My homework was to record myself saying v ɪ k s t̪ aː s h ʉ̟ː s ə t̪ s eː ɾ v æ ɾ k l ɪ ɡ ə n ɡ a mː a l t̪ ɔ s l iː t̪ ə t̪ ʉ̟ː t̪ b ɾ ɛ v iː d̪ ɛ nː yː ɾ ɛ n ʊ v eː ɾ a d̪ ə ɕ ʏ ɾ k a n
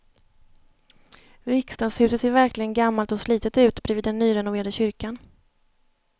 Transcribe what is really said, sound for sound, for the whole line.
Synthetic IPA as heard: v ɪ k s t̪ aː s h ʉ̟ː s ə t̪ s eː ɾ v æ ɾ k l ɪ ɡ ə n ɡ a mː a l t̪ ɔ s l iː t̪ ə t̪ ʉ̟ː t̪ b ɾ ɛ v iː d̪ ɛ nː yː ɾ ɛ n ʊ v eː ɾ a d̪ ə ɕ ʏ ɾ k a n